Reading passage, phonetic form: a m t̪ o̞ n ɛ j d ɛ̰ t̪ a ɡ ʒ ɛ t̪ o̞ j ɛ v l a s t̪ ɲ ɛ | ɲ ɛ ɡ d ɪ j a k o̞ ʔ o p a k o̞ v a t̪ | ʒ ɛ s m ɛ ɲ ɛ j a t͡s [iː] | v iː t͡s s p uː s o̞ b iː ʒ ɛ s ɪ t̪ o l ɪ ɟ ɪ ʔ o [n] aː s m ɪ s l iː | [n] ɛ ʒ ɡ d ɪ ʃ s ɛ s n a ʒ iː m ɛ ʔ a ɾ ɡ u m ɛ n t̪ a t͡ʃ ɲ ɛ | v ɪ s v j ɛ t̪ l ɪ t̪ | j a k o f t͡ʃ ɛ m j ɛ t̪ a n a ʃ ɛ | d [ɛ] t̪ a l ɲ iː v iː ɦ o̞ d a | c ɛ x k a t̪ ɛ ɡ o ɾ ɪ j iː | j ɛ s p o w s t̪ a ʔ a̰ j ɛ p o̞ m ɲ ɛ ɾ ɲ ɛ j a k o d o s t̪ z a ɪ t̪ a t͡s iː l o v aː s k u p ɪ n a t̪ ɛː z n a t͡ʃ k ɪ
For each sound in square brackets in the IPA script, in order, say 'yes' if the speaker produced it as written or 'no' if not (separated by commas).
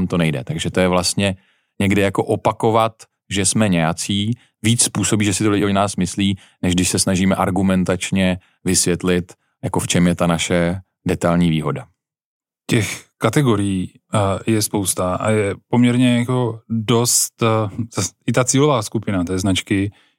yes, yes, yes, yes